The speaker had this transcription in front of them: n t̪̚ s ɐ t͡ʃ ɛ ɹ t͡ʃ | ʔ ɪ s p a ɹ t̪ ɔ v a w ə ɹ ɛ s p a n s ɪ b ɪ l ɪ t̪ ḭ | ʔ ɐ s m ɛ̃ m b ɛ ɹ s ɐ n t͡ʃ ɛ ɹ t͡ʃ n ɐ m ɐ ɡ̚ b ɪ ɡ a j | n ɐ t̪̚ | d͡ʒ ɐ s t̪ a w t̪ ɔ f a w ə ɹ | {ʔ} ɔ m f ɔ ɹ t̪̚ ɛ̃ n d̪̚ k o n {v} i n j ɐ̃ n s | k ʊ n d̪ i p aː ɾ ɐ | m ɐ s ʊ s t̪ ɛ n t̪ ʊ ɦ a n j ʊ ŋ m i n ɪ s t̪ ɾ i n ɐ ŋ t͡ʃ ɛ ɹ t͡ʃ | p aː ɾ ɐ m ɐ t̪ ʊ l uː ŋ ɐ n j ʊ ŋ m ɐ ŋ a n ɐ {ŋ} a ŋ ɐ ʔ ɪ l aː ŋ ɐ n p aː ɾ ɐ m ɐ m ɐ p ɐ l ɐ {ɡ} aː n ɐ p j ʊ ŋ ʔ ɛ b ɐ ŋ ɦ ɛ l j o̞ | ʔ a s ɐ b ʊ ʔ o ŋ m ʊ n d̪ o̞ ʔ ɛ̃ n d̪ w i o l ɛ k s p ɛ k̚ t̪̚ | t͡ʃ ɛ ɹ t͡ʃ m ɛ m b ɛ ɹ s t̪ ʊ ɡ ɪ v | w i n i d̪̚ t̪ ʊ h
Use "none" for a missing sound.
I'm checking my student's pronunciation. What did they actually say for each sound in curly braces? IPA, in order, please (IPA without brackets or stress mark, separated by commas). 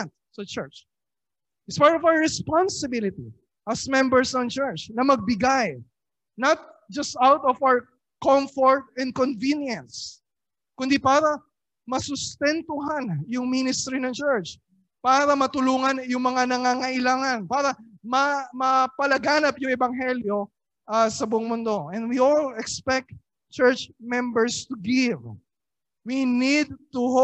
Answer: k, v, ŋ, ɡ